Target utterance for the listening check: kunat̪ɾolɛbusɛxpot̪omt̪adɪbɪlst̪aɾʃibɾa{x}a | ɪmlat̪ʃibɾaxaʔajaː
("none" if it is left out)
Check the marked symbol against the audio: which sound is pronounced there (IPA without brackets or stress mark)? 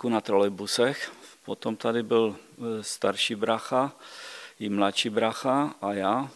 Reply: x